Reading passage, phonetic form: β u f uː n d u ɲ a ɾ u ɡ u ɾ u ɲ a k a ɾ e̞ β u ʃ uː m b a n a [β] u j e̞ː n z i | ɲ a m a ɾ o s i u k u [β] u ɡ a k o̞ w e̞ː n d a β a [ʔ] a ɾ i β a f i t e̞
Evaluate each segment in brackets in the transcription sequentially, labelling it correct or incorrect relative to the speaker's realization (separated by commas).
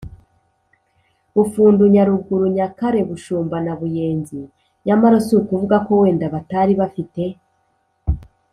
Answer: correct, incorrect, incorrect